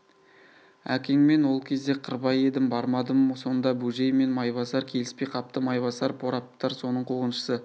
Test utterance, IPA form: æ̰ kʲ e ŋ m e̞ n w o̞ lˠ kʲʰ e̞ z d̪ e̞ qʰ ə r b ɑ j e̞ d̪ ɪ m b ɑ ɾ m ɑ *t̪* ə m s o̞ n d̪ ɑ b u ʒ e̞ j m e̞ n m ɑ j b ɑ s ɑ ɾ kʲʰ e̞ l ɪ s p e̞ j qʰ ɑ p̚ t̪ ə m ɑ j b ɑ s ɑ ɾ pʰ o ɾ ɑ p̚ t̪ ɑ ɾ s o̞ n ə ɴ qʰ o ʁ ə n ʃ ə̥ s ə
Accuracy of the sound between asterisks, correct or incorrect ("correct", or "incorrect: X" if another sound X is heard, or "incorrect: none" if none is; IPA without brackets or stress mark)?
incorrect: d̪